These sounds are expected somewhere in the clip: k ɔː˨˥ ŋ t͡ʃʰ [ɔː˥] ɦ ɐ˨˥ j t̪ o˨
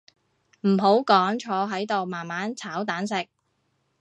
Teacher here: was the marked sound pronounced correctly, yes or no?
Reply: no